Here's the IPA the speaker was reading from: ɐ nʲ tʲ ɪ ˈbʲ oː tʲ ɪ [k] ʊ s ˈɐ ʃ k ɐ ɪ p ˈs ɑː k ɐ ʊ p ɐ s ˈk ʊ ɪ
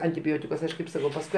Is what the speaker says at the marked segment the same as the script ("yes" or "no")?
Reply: yes